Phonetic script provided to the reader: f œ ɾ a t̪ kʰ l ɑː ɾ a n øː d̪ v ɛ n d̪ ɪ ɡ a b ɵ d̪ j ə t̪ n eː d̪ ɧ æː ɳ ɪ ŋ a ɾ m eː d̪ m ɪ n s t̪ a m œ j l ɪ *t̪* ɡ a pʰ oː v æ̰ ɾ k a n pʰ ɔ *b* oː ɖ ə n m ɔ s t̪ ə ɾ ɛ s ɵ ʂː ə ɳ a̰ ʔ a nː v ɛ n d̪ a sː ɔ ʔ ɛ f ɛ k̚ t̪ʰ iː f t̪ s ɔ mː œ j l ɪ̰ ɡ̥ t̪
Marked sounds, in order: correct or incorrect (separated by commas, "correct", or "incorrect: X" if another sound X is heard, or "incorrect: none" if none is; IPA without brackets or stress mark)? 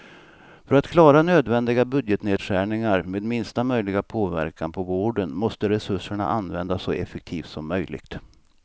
incorrect: none, incorrect: v